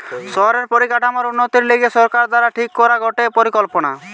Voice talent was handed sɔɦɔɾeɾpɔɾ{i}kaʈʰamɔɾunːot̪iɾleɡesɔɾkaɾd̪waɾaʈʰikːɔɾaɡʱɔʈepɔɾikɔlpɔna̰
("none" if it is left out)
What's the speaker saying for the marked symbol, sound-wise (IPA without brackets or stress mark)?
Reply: i